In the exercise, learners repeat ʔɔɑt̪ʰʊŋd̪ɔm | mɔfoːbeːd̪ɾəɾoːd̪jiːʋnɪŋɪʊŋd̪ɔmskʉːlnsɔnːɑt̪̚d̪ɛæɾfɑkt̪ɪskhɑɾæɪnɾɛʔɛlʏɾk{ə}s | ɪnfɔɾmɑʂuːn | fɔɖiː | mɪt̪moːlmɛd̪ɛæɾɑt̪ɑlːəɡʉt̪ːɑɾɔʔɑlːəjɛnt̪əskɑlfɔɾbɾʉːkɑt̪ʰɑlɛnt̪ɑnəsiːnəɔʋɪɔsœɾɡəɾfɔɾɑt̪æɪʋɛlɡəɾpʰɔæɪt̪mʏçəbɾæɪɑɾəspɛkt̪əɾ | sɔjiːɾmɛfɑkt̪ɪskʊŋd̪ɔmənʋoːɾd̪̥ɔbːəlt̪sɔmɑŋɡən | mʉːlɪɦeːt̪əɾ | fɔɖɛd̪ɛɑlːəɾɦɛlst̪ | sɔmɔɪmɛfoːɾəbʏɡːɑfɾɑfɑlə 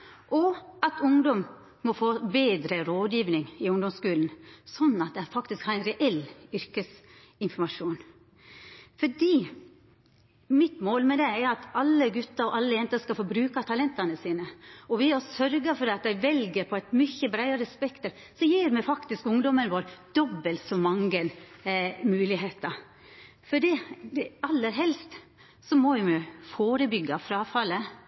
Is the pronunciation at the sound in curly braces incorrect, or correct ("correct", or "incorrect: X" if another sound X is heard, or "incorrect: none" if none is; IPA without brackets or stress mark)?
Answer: correct